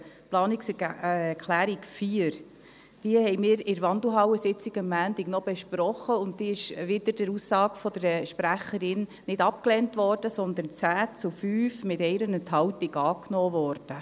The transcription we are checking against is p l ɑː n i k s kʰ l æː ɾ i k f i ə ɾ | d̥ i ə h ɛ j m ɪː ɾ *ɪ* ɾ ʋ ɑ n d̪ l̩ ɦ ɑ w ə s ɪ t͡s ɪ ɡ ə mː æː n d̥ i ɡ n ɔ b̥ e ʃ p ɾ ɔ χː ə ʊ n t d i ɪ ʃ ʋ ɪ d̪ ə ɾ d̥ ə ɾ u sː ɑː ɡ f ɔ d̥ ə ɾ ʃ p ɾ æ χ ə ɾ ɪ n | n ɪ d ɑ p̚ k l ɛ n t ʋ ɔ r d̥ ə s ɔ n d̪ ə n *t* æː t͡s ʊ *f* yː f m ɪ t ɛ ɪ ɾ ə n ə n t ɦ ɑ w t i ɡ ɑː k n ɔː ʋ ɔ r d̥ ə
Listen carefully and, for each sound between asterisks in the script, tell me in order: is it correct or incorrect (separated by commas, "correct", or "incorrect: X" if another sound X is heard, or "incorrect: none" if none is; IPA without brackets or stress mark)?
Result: correct, incorrect: t͡s, correct